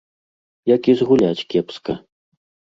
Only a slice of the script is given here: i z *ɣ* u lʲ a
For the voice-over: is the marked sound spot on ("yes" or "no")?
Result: yes